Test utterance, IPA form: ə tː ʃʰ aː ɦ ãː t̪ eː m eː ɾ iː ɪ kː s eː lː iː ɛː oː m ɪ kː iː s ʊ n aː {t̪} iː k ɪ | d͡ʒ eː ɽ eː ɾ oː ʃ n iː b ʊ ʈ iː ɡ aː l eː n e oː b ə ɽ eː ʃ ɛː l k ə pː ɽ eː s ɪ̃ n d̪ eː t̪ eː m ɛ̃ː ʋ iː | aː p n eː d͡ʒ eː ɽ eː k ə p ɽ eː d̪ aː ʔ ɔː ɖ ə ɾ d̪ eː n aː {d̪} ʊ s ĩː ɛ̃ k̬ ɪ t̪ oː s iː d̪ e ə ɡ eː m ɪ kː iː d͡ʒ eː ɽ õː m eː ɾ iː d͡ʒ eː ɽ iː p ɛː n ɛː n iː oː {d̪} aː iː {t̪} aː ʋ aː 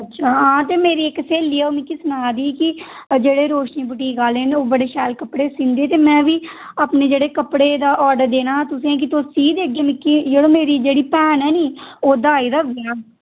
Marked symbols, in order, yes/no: no, no, yes, no

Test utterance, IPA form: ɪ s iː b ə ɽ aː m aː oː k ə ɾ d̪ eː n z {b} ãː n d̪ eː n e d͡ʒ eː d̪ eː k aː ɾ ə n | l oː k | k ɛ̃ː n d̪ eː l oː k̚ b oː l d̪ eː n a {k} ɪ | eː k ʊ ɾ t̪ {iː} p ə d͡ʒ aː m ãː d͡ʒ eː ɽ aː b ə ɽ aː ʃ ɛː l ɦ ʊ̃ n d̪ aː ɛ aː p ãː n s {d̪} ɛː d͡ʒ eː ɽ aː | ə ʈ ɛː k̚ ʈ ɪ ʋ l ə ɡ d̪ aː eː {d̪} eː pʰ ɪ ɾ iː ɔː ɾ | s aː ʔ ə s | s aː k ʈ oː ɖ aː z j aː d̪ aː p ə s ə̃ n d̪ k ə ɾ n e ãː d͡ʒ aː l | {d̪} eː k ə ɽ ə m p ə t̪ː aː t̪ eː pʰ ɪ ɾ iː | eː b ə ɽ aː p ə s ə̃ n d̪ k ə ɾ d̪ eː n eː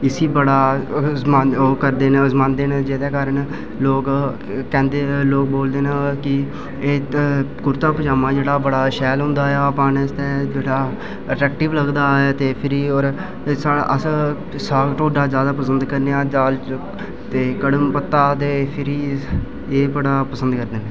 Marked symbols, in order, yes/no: no, yes, no, no, no, no

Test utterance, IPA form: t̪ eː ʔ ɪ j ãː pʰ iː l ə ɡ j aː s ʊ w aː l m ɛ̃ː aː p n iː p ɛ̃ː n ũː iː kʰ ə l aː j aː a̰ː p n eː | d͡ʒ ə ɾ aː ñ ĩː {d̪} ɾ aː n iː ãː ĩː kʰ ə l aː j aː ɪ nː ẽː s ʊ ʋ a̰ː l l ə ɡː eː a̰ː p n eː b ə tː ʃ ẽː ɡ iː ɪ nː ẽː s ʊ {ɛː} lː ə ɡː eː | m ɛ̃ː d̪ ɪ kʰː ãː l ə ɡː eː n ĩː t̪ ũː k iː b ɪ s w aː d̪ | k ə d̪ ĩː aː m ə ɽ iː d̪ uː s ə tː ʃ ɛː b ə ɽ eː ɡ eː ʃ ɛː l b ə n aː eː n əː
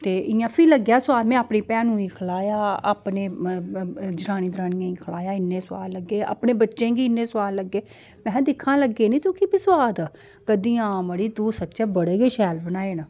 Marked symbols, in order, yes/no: yes, no

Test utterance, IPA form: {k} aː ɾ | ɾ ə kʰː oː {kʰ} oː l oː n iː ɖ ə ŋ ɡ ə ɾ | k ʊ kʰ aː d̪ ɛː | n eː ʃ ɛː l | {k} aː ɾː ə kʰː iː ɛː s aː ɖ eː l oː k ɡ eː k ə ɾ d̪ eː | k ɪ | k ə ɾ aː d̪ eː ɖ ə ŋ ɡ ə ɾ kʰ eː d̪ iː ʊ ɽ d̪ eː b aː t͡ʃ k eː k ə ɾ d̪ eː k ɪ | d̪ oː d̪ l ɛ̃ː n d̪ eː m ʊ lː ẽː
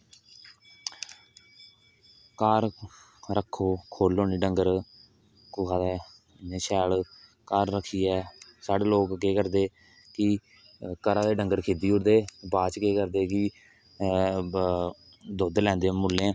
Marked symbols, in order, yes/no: yes, yes, yes

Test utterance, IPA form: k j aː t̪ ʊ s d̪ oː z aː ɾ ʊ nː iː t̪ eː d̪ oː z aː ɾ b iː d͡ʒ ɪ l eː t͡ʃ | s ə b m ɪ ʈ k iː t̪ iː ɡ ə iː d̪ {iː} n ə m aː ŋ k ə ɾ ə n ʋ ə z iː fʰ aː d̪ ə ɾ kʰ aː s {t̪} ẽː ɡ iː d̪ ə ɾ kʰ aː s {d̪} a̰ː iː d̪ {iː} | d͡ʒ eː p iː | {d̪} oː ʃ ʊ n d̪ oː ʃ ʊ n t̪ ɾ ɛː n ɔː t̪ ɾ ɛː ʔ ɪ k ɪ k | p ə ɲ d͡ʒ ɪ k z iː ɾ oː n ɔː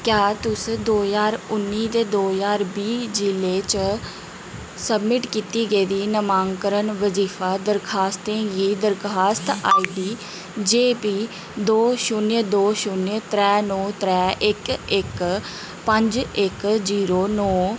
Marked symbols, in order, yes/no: yes, yes, no, yes, yes

